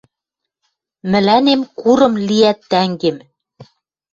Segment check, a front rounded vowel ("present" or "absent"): absent